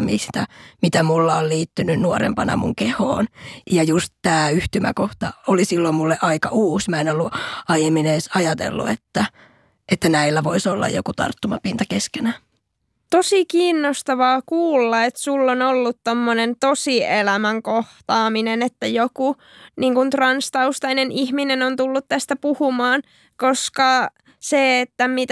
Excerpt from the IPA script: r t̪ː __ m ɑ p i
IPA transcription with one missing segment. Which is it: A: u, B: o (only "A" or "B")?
A